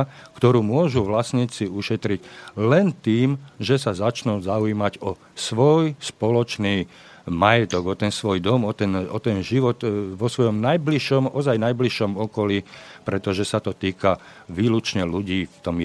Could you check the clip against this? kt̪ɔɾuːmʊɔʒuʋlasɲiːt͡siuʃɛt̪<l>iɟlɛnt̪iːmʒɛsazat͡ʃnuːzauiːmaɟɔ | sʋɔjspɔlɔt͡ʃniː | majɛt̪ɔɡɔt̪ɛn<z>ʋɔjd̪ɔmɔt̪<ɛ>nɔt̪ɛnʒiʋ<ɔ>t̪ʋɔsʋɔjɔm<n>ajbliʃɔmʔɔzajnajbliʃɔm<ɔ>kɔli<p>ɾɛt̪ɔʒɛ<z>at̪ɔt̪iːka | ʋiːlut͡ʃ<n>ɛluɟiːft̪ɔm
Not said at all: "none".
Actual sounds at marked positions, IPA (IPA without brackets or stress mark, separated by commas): ɾ, s, ɛ, ɔ, n, ɔ, p, s, ɲ